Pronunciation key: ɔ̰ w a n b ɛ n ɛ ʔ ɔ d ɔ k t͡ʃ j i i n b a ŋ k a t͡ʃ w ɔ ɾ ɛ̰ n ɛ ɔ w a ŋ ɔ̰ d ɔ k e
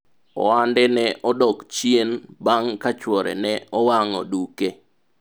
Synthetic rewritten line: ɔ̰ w a n d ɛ n ɛ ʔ ɔ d ɔ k t͡ʃ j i e n b a ŋ k a t͡ʃ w ɔ ɾ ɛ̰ n ɛ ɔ w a ŋ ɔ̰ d u k e